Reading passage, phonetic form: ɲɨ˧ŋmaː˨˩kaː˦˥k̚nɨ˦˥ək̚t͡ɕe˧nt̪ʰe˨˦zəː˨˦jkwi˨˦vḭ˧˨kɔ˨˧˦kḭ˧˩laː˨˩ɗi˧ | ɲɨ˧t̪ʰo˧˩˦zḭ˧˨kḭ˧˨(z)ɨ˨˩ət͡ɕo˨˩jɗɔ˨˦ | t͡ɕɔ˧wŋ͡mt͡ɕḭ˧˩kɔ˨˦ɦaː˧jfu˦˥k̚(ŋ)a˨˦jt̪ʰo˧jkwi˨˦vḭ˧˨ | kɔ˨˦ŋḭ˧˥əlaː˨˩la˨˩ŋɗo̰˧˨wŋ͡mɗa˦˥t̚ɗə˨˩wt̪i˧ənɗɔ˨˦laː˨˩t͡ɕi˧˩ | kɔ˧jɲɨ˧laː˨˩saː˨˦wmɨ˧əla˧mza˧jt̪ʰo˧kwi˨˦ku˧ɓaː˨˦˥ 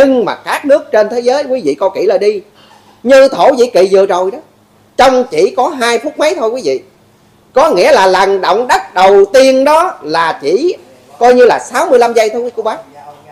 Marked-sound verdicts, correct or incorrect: correct, incorrect: m

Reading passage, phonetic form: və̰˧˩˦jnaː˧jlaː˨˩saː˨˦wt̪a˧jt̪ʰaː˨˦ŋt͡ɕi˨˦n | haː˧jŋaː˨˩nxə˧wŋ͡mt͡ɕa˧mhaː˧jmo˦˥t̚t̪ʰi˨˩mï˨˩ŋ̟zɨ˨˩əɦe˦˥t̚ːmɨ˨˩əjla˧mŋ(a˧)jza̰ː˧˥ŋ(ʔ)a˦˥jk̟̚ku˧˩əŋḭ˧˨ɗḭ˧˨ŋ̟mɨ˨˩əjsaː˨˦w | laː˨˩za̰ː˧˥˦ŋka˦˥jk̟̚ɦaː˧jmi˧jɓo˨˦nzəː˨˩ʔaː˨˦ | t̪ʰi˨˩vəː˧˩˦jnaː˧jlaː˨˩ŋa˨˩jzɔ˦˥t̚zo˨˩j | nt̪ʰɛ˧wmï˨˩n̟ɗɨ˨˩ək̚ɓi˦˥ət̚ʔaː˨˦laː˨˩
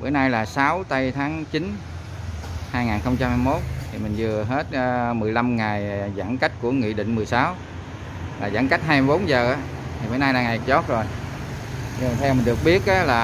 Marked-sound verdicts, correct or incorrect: incorrect: a˨˩, incorrect: k

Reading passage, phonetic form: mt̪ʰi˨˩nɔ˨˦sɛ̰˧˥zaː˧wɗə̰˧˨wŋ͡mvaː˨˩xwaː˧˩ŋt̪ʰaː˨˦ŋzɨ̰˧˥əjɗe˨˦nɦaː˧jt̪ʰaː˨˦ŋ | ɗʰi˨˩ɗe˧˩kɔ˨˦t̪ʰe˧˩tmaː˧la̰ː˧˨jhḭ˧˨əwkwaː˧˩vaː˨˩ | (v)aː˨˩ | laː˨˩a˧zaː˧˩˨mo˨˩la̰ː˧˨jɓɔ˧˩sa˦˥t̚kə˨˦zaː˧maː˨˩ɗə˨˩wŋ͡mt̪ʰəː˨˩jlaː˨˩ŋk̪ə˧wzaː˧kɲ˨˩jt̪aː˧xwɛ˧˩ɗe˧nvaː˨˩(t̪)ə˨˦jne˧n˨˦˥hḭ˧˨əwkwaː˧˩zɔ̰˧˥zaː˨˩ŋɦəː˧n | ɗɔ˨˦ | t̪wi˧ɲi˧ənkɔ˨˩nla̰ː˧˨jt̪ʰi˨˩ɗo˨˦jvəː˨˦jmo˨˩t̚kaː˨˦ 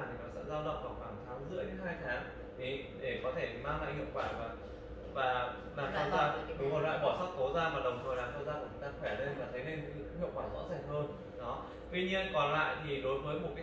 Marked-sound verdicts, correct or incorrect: correct, incorrect: t̪ʰ

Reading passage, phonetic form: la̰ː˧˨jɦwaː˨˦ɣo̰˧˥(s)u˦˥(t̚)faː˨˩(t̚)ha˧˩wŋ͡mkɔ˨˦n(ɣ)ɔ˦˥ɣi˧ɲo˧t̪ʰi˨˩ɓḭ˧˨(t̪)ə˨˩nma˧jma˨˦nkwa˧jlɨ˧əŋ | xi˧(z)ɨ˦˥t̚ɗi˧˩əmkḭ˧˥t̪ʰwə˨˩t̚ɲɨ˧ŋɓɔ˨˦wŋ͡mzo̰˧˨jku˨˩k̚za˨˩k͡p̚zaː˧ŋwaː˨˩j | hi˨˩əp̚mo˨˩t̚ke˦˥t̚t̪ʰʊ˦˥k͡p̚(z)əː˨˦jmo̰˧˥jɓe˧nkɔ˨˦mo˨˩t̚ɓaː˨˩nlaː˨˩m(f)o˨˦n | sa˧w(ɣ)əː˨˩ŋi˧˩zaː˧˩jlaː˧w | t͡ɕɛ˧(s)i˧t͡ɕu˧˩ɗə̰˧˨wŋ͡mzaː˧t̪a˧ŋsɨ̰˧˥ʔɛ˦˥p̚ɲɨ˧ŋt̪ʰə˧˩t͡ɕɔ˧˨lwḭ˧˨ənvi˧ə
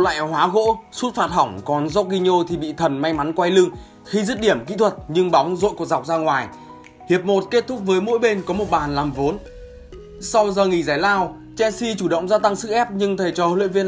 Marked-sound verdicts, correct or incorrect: correct, correct, correct, incorrect: z, incorrect: t̪ʰ, correct, incorrect: v, incorrect: v, incorrect: z, correct

